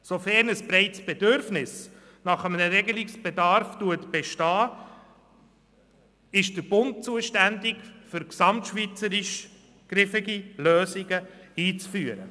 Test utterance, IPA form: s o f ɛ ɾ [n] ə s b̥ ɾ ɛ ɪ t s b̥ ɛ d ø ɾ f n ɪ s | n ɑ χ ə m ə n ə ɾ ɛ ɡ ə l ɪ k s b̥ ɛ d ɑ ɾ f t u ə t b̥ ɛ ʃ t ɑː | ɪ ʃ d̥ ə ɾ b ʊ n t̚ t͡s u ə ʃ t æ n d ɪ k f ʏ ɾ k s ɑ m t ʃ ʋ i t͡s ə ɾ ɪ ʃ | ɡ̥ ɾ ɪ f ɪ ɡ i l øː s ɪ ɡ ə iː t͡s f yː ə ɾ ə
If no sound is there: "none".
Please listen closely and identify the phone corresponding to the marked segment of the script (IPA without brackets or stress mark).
n